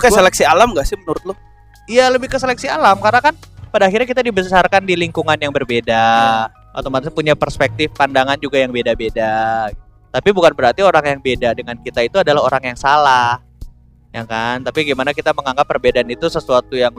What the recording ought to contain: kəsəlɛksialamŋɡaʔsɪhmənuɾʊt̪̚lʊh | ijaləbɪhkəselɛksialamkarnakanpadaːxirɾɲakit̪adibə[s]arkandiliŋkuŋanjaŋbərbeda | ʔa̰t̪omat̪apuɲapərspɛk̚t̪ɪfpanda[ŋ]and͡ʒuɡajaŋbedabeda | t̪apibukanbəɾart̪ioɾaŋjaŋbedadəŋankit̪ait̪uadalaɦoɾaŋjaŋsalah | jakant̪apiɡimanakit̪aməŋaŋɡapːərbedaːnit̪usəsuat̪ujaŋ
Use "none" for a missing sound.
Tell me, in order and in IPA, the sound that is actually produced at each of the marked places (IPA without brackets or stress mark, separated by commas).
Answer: s, ŋ